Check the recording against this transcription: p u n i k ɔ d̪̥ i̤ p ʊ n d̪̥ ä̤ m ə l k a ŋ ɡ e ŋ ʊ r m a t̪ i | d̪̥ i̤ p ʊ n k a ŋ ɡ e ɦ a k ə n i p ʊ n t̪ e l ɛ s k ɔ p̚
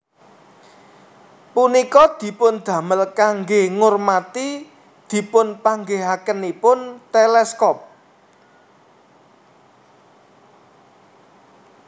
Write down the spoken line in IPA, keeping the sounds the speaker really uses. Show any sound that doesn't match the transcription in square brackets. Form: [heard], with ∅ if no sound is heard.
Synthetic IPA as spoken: p u n i k ɔ d̪̥ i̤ p ʊ n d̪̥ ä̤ m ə l k a ŋ ɡ e ŋ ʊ r m a t̪ i | d̪̥ i̤ p ʊ n [p] a ŋ ɡ e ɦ a k ə n i p ʊ n t̪ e l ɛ s k ɔ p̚

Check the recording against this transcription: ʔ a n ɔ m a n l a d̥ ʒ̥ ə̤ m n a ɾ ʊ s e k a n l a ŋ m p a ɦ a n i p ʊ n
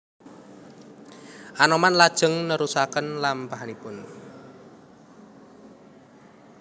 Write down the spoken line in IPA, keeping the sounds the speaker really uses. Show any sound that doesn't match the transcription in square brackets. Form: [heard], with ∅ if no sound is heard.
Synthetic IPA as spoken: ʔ a n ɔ m a n l a d̥ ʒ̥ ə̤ [ŋ] n [ə] ɾ [u] s [a] k [ə] n l a [∅] m p a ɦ a n i p ʊ n

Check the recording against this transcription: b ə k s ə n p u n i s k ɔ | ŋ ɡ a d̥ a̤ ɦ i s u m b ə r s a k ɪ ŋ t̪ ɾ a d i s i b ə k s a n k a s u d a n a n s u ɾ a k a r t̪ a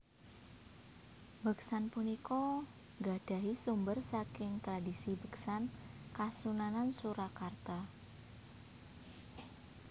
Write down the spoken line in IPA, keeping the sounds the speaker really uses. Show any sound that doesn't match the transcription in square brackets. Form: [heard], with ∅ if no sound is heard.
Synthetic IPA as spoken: b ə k s [a] n p u n i [∅] k ɔ | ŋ ɡ a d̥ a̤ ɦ i s u m b ə r s a k ɪ ŋ t̪ ɾ a d i s i b ə k s a n k a s u [n] a n a n s u ɾ a k a r t̪ a

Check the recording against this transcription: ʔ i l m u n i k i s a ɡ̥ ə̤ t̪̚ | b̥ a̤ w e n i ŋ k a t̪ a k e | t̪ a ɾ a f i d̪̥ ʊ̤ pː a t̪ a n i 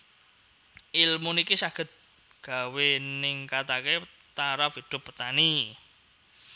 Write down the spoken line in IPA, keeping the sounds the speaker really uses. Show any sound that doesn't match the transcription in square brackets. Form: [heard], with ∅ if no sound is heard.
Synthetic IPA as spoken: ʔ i l m u n i k i s a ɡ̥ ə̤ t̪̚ | [ɡ̥] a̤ w e n [ɪ] ŋ k a t̪ a k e | t̪ a ɾ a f i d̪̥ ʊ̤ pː [ə] t̪ a n i

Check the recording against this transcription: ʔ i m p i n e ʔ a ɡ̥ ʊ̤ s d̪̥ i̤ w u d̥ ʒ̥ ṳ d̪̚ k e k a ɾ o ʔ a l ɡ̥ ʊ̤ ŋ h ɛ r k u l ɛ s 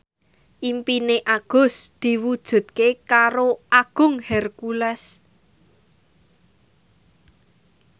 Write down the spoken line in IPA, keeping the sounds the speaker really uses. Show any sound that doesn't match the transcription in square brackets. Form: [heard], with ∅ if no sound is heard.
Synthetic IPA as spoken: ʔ i m p i n e ʔ a ɡ̥ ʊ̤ s d̪̥ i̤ w u d̥ ʒ̥ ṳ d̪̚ k e k a ɾ o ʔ a [∅] ɡ̥ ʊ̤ ŋ h ɛ r k u l ɛ s

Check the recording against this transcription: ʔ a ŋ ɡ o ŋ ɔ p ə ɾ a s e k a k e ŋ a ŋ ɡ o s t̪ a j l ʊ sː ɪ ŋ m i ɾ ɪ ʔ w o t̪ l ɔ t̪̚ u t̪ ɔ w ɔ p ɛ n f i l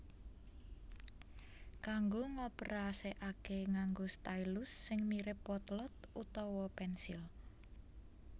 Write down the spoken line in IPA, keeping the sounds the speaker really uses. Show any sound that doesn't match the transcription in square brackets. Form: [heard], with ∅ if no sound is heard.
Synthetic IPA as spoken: [k] a ŋ ɡ o ŋ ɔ p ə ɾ a s e [ʔ] a k e ŋ a ŋ ɡ o s t̪ a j l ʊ sː ɪ ŋ m i ɾ ɪ [p] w [ɔ] t̪ l ɔ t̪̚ u t̪ ɔ w ɔ p ɛ n [s] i l

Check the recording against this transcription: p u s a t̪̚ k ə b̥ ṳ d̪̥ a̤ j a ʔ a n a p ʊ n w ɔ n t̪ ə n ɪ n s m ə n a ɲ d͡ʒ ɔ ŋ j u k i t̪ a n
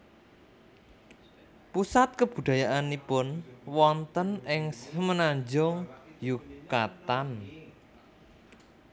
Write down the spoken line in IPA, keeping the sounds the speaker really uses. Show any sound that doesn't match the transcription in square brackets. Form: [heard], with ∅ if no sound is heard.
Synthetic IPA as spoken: p u s a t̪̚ k ə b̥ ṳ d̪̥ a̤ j a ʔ a n [i] p ʊ n w ɔ n t̪ ə n ɪ [ŋ] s m ə n a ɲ d͡ʒ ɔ ŋ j u k [a] t̪ a n

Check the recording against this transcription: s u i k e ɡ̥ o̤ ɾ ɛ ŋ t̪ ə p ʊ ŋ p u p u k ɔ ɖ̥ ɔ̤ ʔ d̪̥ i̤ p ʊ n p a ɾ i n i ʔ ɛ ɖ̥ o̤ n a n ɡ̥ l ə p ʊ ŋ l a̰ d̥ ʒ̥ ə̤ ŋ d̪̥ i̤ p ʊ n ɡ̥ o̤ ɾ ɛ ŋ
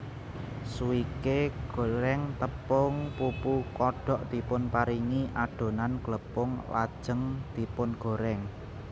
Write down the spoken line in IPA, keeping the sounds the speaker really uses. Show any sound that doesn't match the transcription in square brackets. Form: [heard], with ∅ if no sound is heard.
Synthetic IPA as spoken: s u i k e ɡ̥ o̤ ɾ ɛ ŋ t̪ ə p ʊ ŋ p u p u k ɔ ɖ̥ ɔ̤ ʔ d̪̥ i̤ p ʊ n p a ɾ i [ŋ] i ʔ [a] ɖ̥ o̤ n a n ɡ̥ l ə p ʊ ŋ l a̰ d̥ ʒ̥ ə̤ ŋ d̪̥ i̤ p ʊ n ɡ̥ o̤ ɾ ɛ ŋ

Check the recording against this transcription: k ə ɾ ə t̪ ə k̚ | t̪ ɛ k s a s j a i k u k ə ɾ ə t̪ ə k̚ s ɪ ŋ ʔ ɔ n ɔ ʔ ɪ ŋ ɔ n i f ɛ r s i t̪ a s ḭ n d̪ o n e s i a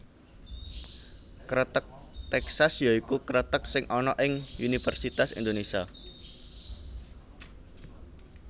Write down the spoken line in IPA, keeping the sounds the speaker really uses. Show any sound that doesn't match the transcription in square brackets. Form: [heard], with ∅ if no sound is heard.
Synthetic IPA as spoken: k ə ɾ ə t̪ ə k̚ | t̪ ɛ k s a s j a i k u k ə ɾ ə t̪ ə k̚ s ɪ ŋ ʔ ɔ n ɔ ʔ ɪ ŋ [u] n i f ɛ r s i t̪ a s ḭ n d̪ o n e s i a

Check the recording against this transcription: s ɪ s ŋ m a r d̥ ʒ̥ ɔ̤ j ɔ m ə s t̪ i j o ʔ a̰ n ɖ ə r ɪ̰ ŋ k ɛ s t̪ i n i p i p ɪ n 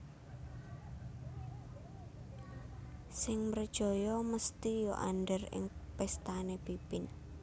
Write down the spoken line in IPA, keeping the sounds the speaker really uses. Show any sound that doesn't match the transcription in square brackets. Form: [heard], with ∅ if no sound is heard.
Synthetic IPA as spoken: s ɪ [∅] ŋ m [ə] r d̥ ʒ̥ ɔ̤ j ɔ m ə s t̪ i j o ʔ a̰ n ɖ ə r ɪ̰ ŋ [p] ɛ s t̪ [a] n [e] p i p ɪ n

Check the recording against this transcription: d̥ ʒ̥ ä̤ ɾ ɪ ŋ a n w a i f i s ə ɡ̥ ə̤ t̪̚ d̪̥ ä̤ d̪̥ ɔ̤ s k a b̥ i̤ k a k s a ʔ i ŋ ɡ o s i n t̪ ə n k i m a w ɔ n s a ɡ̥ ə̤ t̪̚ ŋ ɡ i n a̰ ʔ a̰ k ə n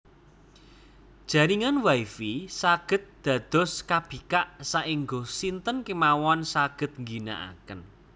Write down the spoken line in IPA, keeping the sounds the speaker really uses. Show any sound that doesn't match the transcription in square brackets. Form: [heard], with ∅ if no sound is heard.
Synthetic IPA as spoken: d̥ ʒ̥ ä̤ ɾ [i] ŋ a n w a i f i s [a] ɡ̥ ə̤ t̪̚ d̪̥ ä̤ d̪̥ ɔ̤ s k a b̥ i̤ k a [ʔ] s a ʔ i ŋ ɡ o s i n t̪ ə n k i m a w ɔ n s a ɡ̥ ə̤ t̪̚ ŋ ɡ i n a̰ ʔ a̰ k ə n

